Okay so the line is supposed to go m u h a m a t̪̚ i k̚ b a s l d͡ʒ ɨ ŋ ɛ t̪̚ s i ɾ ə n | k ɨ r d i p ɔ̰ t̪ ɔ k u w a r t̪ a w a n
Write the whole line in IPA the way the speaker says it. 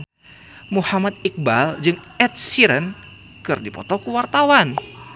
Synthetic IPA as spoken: m u h a m a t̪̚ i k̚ b a l d͡ʒ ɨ ŋ ɛ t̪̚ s i ɾ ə n | k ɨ r d i p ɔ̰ t̪ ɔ k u w a r t̪ a w a n